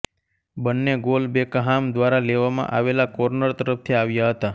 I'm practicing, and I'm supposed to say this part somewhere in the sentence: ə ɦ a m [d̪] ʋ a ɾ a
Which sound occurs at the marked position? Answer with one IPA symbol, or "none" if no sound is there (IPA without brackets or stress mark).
d̪